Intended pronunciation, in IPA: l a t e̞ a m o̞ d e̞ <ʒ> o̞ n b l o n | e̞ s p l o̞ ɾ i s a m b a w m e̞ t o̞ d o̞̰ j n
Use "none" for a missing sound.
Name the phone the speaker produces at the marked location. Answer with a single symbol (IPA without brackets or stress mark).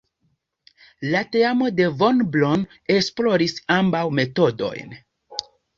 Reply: v